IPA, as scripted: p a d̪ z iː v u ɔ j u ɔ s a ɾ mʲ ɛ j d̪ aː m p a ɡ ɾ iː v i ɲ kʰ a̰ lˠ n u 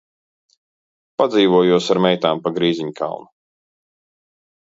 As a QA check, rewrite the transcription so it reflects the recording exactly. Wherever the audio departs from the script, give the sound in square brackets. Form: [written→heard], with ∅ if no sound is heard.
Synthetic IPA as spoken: p a d̪ z iː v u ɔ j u ɔ s a ɾ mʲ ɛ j [d̪→t̪] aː m p a ɡ ɾ iː [v→z] i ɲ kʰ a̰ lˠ n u